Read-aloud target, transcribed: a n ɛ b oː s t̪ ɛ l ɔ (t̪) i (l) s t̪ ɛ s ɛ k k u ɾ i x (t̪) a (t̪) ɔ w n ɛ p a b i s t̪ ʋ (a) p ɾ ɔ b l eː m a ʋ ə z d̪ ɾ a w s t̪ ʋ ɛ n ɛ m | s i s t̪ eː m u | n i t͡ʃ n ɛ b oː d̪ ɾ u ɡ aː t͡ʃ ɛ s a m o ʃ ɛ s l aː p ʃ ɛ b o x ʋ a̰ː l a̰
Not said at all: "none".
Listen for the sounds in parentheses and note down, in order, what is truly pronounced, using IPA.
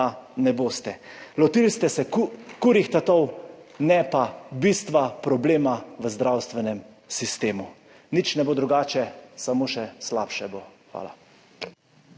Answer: t̪, l, t̪, t̪, a

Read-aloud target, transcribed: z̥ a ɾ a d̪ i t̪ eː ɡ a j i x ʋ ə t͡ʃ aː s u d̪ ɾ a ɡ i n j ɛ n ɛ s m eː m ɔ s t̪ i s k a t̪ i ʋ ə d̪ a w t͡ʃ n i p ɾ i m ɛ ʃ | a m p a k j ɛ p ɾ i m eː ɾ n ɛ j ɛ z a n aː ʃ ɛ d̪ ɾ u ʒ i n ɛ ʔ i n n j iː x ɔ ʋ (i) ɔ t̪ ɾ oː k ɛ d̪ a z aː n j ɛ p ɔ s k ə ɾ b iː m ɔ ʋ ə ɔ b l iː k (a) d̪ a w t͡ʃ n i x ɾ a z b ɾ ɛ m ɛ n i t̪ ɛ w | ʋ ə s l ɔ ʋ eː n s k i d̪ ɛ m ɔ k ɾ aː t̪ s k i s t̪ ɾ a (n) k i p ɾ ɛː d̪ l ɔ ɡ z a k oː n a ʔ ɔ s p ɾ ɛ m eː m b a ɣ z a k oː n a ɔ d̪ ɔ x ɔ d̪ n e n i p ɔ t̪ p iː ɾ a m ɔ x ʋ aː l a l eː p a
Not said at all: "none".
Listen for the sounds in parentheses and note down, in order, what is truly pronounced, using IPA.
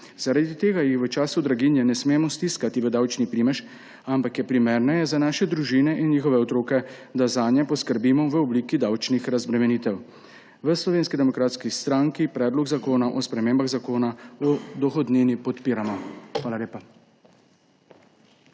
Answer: ɛ, i, ŋ

